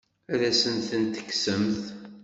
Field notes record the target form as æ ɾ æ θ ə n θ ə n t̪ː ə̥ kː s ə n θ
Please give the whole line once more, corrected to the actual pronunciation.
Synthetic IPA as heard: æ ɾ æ s ə n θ ə n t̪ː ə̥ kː s ə m θ